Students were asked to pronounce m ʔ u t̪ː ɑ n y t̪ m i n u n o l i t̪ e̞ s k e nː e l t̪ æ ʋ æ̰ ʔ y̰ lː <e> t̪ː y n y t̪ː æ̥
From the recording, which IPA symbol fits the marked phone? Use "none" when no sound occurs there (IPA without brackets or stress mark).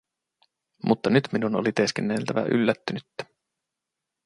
æ